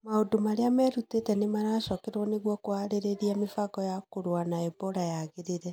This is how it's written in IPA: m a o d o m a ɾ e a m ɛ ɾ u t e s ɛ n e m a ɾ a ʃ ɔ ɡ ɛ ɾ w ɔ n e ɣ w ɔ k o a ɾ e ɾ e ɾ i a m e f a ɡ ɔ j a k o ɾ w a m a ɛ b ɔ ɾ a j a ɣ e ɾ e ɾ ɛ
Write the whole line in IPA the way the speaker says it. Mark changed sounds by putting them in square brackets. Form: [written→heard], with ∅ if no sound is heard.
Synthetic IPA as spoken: m a o d o m a ɾ e a m ɛ ɾ u t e [s→t] ɛ n e m a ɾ a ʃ ɔ [ɡ→k] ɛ ɾ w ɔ n e ɣ w ɔ k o a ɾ e ɾ e ɾ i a m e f a ɡ ɔ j a k o ɾ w a [m→n] a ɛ b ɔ ɾ a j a ɣ e ɾ e ɾ ɛ